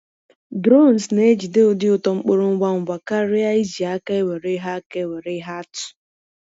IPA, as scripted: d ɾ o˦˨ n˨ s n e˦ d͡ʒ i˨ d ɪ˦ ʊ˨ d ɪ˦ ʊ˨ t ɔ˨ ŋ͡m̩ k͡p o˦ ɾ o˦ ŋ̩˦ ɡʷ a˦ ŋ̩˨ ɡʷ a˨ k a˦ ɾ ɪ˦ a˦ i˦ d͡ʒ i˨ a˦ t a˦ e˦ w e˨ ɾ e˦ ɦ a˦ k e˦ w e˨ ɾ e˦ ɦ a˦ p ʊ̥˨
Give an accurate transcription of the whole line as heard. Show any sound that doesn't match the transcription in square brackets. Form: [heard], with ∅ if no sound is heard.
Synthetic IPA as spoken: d ɾ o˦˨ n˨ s n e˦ d͡ʒ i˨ d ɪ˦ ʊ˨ d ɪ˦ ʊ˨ t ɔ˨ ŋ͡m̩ k͡p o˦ ɾ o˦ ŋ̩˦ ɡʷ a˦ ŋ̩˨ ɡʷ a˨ k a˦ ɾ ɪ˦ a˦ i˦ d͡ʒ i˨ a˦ [k] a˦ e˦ w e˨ ɾ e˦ ɦ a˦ k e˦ w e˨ ɾ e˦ ɦ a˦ [t] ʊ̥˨